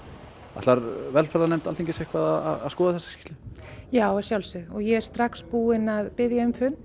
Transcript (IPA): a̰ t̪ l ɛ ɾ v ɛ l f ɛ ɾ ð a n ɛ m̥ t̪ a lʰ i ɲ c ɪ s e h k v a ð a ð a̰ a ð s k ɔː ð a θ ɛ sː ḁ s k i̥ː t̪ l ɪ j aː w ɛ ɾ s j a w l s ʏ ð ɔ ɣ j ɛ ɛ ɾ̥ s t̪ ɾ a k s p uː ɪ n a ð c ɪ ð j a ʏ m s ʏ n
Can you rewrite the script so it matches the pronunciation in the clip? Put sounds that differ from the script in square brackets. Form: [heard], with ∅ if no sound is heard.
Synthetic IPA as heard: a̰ t̪ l [a] ɾ v ɛ l f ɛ ɾ ð a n ɛ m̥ t̪ a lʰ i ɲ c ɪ s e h k v a ð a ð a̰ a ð s k ɔː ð a θ ɛ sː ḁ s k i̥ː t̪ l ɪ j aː w ɛ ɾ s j a w l s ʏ ð ɔ ɣ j ɛ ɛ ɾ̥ s t̪ ɾ a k s p uː ɪ n a ð [p] ɪ ð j a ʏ m [f] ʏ n